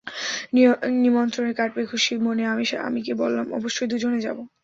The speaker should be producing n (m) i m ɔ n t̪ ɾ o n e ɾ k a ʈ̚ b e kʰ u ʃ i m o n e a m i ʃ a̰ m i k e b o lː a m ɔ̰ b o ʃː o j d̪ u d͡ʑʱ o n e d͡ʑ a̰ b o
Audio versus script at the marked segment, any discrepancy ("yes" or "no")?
yes